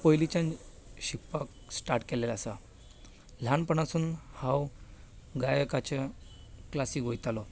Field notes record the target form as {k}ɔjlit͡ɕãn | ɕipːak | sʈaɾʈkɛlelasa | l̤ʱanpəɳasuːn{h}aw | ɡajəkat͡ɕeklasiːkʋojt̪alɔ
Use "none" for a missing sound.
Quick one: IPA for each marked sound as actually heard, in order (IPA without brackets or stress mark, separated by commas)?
p, h